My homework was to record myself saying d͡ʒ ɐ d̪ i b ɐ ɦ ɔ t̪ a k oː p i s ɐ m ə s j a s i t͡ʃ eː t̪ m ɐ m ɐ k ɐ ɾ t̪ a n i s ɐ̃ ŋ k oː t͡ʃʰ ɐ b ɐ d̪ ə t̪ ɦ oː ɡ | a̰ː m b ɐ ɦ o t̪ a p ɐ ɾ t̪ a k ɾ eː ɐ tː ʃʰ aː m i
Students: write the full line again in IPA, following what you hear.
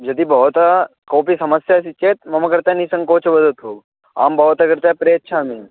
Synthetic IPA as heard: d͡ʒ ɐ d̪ i b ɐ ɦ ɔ t̪ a k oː p i s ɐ m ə s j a s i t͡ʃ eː t̪ m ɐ m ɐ k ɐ ɾ t̪ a n i s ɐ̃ ŋ k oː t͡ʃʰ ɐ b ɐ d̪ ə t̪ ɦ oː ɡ | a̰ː m b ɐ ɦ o t̪ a k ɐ ɾ t̪ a p ɾ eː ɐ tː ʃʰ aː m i